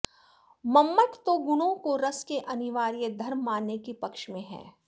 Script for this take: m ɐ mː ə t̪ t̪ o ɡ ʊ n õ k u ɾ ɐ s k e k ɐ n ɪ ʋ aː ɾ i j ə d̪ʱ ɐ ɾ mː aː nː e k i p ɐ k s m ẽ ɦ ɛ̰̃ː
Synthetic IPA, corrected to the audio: m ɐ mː ə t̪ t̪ o ɡ ʊ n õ k o ɾ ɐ s k e ʔ ɐ n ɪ ʋ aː ɾ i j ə d̪ʱ ɐ ɾ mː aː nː e k i p ɐ k ʃ m ẽ ɦ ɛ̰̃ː